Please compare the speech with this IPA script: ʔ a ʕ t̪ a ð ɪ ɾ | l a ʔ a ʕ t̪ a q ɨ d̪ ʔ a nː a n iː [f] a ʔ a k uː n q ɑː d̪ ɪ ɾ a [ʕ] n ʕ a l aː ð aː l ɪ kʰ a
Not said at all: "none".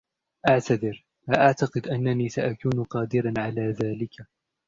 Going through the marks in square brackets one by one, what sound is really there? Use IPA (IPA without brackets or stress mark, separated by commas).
s, none